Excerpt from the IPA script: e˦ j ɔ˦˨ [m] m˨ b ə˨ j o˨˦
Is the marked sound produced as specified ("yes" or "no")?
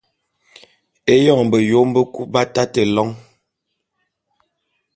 no